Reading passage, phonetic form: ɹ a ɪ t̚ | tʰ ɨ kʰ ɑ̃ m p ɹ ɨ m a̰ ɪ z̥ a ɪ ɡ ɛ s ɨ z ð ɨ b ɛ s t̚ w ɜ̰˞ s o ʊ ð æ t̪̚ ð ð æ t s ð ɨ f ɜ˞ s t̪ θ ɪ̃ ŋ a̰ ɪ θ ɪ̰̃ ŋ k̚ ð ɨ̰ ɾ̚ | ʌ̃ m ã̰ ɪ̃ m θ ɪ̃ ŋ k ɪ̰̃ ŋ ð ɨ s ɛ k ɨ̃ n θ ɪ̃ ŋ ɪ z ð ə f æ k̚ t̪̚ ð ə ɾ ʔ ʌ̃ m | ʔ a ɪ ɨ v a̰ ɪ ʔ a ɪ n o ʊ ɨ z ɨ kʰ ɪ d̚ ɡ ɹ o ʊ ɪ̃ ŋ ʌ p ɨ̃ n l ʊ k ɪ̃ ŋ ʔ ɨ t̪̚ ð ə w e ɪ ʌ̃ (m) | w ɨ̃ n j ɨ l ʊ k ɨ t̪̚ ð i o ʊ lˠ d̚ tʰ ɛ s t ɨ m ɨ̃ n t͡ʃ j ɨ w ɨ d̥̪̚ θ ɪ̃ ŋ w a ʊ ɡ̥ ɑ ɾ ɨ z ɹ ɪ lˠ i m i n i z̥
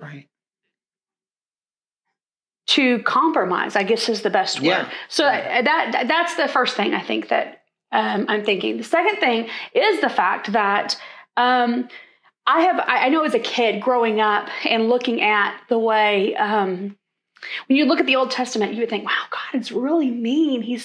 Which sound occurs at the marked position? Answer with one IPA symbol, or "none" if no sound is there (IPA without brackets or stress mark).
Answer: m